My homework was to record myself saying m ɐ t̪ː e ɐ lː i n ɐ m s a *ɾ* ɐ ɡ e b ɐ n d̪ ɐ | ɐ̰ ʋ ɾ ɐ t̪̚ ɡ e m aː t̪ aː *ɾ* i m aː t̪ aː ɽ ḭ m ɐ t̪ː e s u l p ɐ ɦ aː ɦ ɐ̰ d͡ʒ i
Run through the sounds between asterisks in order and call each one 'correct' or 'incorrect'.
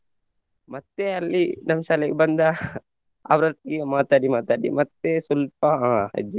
incorrect, incorrect

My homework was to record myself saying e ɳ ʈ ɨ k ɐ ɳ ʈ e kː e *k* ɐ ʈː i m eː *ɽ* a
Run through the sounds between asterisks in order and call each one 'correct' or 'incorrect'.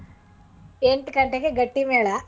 incorrect, incorrect

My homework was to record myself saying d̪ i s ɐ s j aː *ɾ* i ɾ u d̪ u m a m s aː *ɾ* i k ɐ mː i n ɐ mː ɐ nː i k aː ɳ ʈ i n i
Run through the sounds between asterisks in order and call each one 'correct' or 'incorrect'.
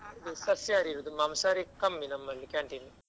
correct, correct

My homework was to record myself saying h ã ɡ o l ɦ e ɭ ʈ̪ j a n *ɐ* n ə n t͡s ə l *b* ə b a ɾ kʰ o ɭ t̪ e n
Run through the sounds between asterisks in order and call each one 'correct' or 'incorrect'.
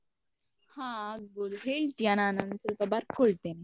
incorrect, incorrect

